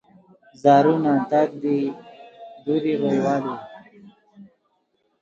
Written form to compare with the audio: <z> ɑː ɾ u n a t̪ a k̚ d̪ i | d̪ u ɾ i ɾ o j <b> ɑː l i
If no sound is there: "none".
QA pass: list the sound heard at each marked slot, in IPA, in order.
z, w

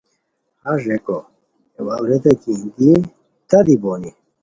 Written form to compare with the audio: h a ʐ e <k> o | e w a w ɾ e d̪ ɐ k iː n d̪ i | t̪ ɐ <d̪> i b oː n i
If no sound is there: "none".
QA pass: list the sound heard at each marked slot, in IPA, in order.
k, d̪

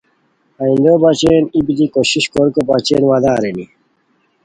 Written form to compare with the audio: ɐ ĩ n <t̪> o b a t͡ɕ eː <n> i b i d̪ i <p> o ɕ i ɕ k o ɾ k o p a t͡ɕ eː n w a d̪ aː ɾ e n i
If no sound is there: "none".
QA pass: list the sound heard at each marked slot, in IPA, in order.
d̪, n, k

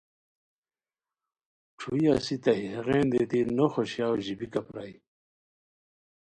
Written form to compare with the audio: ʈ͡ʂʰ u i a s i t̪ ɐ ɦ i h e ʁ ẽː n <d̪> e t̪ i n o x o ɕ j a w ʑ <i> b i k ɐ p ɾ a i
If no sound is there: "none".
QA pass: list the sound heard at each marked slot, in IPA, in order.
d̪, i

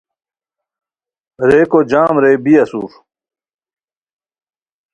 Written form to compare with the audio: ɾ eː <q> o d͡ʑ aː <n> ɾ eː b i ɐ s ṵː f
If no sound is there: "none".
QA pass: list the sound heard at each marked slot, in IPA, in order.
k, m

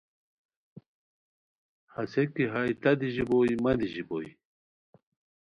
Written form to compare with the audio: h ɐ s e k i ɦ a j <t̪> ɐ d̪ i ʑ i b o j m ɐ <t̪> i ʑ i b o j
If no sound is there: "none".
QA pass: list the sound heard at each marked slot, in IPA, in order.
t̪, d̪

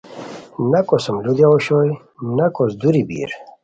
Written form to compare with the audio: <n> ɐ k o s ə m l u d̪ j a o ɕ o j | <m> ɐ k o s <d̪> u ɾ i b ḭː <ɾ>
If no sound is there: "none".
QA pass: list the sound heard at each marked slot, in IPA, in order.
n, n, d̪, ɾ

